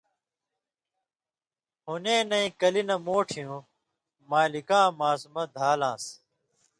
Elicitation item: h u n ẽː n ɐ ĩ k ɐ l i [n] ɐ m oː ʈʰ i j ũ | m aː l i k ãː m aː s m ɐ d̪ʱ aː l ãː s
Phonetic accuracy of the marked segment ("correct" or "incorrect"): correct